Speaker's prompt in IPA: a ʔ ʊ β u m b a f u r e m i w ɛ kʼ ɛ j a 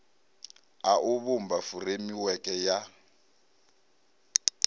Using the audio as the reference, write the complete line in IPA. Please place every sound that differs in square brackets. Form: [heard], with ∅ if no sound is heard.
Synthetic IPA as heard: a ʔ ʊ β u m b a f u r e m i w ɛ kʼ ɛ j a